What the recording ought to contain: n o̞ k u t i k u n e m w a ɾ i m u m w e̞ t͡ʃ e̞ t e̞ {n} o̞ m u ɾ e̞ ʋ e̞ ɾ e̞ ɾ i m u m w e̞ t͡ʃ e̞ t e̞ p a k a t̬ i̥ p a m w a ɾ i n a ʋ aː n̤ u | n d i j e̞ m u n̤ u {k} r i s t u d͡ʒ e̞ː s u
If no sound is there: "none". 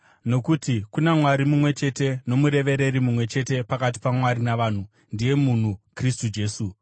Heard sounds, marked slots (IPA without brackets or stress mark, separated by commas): n, k